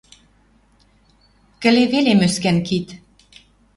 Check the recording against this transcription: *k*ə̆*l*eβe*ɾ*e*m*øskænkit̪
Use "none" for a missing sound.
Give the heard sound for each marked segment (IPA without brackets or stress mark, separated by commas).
k, l, l, m